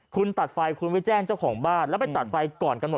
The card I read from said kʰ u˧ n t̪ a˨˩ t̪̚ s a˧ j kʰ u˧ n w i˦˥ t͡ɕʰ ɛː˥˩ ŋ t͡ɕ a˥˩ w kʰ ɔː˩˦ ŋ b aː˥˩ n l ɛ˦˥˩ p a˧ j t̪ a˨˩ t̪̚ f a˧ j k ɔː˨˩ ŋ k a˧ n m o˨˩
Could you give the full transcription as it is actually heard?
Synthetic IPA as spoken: kʰ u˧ n t̪ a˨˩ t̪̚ f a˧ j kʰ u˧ n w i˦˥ t͡ɕ ɛː˥˩ ŋ t͡ɕ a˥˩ w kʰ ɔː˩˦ ŋ b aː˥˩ n l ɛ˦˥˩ p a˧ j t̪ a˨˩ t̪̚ f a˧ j k ɔː˨˩ n k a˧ n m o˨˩